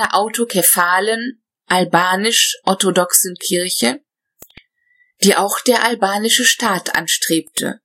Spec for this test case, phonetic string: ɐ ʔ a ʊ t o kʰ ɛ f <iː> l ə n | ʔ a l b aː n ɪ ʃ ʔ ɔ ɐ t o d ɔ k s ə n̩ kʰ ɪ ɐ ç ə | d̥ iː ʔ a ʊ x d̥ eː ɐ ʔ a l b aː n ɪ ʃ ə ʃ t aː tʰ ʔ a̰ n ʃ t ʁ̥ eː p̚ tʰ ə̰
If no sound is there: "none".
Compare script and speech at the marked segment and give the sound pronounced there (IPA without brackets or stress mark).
aː